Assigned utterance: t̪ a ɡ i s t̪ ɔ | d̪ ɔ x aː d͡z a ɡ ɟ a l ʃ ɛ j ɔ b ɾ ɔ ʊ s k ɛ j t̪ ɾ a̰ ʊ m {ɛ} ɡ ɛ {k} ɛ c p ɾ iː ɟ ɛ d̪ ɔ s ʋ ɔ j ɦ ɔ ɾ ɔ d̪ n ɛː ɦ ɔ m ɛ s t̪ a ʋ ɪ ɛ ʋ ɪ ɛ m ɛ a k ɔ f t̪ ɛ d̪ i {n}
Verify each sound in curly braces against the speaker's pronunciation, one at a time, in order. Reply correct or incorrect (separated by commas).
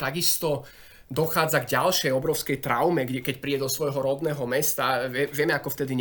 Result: correct, correct, incorrect